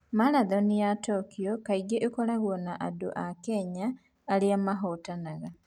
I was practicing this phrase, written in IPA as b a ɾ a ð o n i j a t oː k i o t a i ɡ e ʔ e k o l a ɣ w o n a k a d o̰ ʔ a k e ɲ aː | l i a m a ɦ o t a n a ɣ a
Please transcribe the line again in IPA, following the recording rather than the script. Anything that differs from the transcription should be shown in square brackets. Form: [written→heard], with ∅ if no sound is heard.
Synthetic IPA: [b→m] a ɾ a ð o n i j a t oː k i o [t→k] a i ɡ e ʔ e k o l a ɣ w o n a [k→ʔ] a d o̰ ʔ a k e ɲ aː | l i a m a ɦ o t a n a ɣ a